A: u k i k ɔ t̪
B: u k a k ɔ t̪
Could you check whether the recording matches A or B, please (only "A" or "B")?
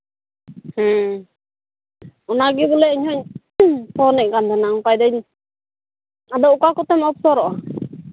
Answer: B